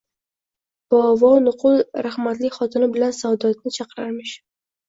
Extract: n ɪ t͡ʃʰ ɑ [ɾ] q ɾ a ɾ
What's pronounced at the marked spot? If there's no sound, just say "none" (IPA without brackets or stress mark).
none